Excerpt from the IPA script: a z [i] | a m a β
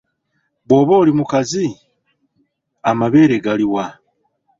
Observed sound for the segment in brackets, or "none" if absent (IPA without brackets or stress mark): i